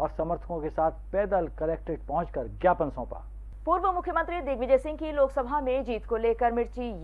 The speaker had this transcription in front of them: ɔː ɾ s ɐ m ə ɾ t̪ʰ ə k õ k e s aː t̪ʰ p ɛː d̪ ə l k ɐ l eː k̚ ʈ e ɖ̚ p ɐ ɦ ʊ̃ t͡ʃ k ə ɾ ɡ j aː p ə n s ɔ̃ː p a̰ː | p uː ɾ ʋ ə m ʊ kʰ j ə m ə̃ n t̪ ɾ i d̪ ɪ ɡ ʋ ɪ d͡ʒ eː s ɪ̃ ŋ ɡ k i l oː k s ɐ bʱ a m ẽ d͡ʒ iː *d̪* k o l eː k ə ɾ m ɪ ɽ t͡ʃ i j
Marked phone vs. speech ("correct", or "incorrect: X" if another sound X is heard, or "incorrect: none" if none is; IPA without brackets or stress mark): incorrect: t̪